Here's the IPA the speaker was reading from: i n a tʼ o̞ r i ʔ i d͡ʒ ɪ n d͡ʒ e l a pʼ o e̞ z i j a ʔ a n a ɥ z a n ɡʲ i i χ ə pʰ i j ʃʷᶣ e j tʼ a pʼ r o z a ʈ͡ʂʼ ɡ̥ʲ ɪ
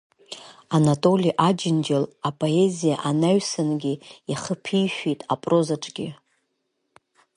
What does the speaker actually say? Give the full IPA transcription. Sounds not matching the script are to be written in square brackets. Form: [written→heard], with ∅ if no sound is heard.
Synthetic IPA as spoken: [i→a] n a tʼ o̞ [r→l] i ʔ [i→a] d͡ʒ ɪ n d͡ʒ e l a pʼ o e̞ z i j a ʔ a n a ɥ [z→s] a n ɡʲ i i χ ə pʰ i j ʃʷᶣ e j tʼ a pʼ r o z a ʈ͡ʂʼ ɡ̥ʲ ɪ